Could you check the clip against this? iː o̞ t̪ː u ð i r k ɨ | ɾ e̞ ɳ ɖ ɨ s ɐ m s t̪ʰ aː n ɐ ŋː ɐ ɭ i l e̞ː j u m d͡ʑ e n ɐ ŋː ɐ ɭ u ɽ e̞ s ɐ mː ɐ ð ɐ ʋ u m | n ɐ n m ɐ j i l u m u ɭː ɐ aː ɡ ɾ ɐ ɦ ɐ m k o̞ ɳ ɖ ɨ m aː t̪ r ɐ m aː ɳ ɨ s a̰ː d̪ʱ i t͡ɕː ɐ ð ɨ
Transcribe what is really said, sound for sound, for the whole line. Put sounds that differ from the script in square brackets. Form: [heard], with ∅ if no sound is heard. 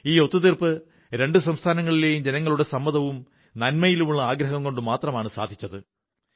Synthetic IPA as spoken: iː o̞ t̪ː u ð i r [p] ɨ | ɾ e̞ ɳ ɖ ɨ s ɐ m s t̪ʰ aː n ɐ ŋː ɐ ɭ i l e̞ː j u m d͡ʑ e n ɐ ŋː ɐ ɭ u ɽ e̞ s ɐ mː ɐ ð ɐ ʋ u m | n ɐ n m ɐ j i l u m u ɭː ɐ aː ɡ ɾ ɐ ɦ ɐ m k o̞ ɳ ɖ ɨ m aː t̪ r ɐ m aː ɳ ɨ s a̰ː d̪ʱ i t͡ɕː ɐ ð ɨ